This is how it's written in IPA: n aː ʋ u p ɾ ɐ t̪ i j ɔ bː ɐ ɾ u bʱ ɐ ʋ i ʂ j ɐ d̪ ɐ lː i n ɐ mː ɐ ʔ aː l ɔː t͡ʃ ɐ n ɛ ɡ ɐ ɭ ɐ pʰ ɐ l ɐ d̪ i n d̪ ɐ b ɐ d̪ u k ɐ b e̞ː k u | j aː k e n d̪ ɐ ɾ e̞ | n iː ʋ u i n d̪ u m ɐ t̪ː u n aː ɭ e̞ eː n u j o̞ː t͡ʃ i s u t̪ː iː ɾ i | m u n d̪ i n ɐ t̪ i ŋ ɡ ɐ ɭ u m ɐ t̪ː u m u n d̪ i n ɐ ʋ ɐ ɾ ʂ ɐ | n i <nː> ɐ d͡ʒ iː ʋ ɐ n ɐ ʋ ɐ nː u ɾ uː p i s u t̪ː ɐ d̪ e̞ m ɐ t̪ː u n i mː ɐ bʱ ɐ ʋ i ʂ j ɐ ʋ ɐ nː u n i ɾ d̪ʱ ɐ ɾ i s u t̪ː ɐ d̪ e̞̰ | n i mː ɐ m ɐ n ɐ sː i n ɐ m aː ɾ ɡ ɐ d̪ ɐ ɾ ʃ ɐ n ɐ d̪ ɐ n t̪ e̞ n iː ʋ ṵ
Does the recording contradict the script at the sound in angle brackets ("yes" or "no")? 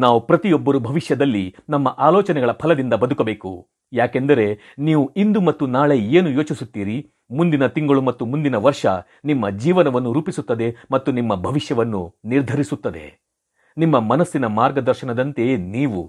yes